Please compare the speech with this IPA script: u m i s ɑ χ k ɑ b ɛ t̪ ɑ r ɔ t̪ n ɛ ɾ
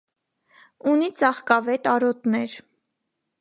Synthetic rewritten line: u n i t͡s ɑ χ k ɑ v ɛ t̪ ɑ ɾ ɔ t̪ n ɛ ɾ